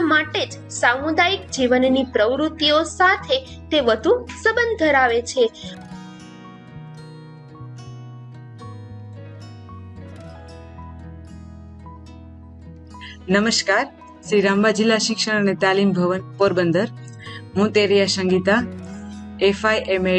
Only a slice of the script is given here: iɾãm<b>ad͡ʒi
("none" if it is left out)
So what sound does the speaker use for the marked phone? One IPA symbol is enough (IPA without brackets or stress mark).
b